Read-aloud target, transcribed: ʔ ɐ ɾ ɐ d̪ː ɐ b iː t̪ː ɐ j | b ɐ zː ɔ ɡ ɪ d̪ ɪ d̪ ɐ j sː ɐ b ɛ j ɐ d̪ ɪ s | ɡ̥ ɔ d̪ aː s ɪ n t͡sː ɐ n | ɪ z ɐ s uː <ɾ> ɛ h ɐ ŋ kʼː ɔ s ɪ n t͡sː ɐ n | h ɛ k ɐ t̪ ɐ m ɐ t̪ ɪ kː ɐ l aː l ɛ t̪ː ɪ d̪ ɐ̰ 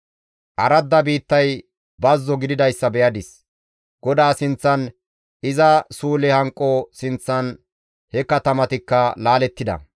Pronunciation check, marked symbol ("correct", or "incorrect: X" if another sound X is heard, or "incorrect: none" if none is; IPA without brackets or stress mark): incorrect: l